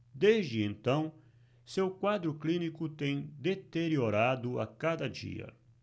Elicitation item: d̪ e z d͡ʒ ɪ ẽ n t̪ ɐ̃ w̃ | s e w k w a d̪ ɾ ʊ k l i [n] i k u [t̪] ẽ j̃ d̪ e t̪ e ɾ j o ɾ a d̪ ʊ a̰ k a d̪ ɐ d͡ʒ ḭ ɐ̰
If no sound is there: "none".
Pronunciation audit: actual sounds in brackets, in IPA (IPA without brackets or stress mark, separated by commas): n, t̪